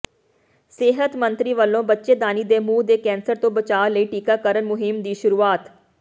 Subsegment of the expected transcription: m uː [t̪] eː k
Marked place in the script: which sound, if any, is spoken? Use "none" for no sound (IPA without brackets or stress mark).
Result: d̪